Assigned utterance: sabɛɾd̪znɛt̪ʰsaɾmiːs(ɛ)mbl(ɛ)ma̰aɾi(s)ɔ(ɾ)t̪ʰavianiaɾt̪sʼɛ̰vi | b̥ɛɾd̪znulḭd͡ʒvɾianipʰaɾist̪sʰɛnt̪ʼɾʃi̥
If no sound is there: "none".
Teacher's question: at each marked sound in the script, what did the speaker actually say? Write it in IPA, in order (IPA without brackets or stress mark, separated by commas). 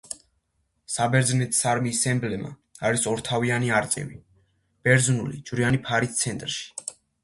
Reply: ɛ, ɛ, s, ɾ